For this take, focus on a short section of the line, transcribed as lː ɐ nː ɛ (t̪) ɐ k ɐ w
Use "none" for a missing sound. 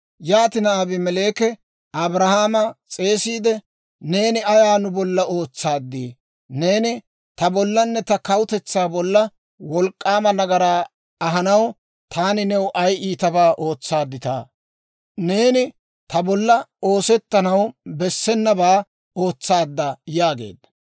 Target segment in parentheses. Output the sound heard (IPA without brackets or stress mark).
t̪